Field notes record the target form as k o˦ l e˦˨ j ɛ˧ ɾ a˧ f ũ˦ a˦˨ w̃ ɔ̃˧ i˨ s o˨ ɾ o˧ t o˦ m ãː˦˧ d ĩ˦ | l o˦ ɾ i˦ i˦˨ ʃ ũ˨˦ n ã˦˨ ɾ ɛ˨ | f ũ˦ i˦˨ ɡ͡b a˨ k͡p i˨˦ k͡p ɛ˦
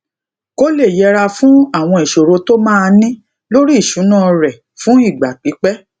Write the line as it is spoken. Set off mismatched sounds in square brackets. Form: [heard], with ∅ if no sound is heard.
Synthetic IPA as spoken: k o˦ l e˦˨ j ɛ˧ ɾ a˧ f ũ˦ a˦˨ w̃ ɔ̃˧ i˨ [ʃ] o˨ ɾ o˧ t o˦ m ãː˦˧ [n] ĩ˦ | l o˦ ɾ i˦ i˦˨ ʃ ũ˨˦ n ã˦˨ ɾ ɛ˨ | f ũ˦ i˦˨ ɡ͡b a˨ k͡p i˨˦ k͡p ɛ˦

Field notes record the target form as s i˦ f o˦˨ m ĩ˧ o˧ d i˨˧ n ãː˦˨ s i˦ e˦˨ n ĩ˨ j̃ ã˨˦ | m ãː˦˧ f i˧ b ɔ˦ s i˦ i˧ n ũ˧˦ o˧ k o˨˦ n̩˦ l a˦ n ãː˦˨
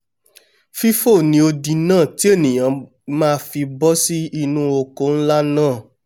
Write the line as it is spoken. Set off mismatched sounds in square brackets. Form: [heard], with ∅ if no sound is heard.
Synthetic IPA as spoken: [f] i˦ f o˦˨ [n] ĩ˧ o˧ d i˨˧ n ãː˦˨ [t] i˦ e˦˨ n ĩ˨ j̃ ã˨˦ | m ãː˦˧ f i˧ b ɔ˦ s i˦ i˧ n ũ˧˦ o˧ k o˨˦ n̩˦ l a˦ n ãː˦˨

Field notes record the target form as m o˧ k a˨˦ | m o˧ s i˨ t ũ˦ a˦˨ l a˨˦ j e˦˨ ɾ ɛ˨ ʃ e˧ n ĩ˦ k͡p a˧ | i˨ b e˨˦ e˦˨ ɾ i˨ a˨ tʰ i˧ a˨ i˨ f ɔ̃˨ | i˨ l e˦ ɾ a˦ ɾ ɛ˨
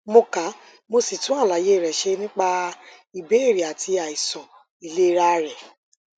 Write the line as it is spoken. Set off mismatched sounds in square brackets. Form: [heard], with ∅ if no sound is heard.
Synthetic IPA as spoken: m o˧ k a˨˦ | m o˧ s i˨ t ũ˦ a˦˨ l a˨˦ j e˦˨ ɾ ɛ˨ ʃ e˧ n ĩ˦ k͡p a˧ | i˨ b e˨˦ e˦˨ ɾ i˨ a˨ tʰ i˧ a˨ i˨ [s] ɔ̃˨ | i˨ l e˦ ɾ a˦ ɾ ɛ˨

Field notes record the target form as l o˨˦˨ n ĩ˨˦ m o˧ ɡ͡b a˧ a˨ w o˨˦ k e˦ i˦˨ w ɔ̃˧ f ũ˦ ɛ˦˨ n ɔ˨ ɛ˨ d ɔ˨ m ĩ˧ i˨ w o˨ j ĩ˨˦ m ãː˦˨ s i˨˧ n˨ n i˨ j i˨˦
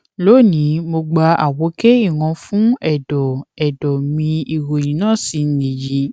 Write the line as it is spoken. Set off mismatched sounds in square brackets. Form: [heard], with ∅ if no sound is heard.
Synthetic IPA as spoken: l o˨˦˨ n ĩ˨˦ m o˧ ɡ͡b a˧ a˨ w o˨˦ k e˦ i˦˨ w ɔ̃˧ f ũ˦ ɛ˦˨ [d] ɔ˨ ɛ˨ d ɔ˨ m ĩ˧ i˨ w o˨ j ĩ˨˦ [n] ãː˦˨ s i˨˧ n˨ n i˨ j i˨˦

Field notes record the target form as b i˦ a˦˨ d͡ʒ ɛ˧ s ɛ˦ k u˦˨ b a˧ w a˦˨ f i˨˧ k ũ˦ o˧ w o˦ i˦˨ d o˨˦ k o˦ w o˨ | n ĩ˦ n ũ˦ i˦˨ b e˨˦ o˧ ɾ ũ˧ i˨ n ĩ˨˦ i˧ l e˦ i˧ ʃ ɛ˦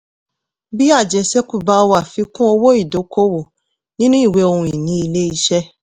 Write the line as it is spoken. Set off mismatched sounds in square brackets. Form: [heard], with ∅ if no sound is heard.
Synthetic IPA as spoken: b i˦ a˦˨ d͡ʒ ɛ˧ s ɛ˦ k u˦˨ b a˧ w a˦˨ f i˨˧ k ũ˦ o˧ w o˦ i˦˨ d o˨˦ k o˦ w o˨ | n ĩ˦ n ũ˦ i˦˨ [w] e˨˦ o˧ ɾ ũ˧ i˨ n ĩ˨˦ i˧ l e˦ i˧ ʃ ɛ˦

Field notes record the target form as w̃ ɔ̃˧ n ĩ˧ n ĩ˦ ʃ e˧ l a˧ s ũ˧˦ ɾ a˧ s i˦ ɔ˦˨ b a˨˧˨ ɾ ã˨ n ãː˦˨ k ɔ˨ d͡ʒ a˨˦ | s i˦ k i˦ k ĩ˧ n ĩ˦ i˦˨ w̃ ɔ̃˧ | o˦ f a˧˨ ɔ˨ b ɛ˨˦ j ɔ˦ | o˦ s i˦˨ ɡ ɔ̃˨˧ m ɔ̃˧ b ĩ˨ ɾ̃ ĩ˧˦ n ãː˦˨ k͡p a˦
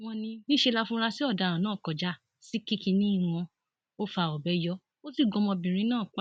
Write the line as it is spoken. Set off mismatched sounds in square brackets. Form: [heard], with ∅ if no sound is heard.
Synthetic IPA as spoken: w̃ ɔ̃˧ n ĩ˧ n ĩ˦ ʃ e˧ l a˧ [f] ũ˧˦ ɾ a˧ s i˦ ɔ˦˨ [d] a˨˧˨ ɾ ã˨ n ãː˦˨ k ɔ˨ d͡ʒ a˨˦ | s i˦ k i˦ k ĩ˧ n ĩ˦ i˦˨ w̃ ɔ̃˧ | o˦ f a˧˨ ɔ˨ b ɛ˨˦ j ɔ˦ | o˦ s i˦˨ ɡ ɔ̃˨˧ m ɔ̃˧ b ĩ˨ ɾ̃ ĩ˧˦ n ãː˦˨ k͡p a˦

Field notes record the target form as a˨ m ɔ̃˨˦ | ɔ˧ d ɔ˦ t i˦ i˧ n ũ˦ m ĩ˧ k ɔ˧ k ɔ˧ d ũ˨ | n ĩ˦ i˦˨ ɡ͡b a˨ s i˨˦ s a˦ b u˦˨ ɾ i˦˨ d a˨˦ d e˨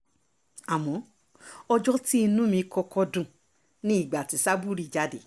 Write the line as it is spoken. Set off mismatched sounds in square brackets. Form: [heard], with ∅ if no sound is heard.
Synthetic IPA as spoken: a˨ m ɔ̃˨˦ | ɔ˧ [d͡ʒ] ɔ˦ t i˦ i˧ n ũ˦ m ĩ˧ k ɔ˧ k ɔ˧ d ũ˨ | n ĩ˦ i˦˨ ɡ͡b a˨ [t] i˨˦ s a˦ b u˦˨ ɾ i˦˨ [d͡ʒ] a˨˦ d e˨

